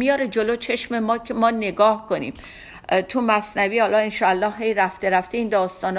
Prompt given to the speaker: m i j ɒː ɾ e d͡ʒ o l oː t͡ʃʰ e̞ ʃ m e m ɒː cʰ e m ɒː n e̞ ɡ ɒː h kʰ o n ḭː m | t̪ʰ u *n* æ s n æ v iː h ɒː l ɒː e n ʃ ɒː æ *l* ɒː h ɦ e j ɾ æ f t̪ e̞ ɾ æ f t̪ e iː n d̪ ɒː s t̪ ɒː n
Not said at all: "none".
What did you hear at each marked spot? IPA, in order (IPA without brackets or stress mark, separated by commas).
m, lː